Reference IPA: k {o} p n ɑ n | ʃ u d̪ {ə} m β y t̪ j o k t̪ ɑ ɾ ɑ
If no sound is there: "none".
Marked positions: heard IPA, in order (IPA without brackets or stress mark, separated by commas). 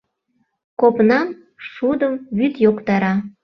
o, ə